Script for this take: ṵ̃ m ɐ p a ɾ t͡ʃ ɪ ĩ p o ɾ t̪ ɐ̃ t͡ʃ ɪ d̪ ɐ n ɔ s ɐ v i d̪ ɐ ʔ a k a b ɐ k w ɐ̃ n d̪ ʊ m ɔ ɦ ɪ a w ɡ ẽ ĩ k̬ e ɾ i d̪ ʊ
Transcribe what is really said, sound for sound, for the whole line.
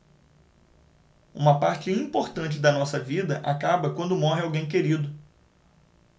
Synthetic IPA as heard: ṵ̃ m ɐ p a ɾ t͡ʃ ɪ ĩ p o ɾ t̪ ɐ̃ t͡ʃ ɪ d̪ ɐ n ɔ s ɐ v i d̪ ɐ ʔ a k a b ɐ k w ɐ̃ n d̪ ʊ m ɔ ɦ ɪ a w ɡ ẽ j̃ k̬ e ɾ i d̪ ʊ

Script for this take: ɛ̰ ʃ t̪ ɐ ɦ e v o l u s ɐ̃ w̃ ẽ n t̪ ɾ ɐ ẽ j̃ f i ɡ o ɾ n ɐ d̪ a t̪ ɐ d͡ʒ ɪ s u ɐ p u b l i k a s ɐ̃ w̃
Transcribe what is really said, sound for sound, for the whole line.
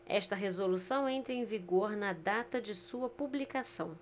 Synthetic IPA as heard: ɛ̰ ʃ t̪ ɐ ɦ e z o l u s ɐ̃ w̃ ẽ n t̪ ɾ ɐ ẽ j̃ v i ɡ o ɾ n ɐ d̪ a t̪ ɐ d͡ʒ ɪ s u ɐ p u b l i k a s ɐ̃ w̃

